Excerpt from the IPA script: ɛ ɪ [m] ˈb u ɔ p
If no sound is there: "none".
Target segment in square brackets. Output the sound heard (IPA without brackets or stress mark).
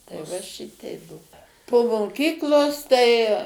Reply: none